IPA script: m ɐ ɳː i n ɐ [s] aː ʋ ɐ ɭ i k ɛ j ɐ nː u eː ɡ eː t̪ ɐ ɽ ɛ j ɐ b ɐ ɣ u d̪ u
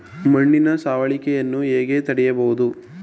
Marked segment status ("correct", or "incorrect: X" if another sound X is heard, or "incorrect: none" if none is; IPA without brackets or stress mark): correct